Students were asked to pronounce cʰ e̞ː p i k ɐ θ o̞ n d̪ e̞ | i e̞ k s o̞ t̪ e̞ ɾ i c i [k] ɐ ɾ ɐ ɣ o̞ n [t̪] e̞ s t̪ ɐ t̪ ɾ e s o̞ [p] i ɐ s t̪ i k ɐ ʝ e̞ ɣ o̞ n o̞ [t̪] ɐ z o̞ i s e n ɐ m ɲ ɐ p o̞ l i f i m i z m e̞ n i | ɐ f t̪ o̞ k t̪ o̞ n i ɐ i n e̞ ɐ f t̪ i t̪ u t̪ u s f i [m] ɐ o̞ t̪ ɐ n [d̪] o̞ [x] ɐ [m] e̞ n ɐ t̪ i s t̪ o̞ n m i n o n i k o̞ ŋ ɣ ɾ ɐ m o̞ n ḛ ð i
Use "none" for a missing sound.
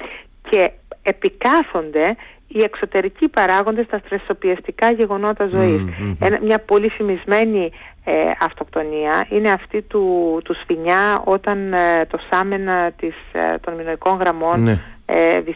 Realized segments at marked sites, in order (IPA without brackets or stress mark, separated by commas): p, d̪, p, t̪, ɲ, t̪, s, m